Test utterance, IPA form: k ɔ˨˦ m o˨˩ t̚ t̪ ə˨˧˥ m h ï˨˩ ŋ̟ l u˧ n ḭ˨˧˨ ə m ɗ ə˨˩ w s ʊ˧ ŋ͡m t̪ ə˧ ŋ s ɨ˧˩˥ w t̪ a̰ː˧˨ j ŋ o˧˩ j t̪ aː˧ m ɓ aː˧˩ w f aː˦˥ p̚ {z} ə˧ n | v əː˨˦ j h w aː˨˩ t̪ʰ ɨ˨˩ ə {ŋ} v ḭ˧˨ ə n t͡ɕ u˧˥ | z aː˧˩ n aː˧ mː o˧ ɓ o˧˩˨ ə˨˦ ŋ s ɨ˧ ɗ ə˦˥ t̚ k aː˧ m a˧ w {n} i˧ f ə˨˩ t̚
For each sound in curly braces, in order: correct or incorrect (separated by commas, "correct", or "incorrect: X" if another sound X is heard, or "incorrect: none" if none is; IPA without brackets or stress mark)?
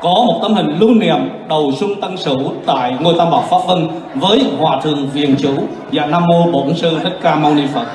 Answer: incorrect: v, correct, correct